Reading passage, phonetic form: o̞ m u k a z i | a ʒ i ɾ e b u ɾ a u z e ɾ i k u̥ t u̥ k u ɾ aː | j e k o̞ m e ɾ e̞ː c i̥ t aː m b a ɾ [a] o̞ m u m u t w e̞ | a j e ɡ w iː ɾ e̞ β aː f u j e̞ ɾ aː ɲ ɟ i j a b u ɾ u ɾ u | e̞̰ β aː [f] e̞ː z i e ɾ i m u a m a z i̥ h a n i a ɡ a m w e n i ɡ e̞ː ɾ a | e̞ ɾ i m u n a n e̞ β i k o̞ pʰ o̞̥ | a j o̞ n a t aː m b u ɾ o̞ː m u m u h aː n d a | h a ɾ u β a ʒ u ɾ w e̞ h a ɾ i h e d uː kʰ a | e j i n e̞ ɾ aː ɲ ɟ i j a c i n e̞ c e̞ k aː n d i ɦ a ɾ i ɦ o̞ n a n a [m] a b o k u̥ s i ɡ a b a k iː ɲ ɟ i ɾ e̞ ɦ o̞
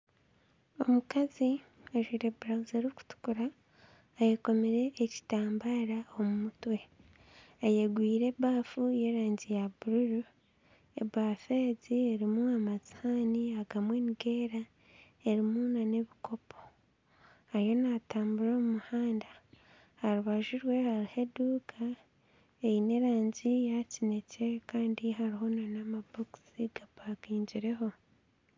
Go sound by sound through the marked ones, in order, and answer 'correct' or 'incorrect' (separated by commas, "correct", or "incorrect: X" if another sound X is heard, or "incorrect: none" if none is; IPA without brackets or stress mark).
correct, correct, correct